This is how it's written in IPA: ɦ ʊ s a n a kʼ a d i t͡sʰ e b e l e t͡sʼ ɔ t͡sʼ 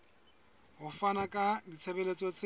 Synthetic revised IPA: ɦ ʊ f a n a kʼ a d i t͡sʰ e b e l e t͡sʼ ɔ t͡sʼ